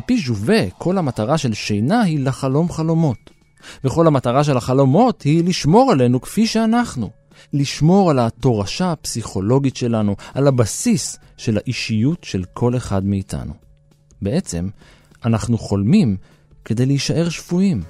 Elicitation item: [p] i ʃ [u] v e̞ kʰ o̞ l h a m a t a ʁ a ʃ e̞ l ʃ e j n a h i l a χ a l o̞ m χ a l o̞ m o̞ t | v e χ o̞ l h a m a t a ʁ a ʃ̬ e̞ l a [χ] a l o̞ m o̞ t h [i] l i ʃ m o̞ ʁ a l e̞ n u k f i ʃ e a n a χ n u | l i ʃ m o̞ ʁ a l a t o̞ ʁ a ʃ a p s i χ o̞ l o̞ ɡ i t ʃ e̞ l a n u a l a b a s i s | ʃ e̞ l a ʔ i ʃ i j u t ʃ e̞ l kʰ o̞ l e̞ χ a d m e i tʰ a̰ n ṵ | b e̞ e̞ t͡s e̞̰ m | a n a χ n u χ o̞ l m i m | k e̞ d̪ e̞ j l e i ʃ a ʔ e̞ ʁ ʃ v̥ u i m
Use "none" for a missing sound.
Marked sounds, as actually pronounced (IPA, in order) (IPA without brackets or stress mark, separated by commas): p, u, χ, i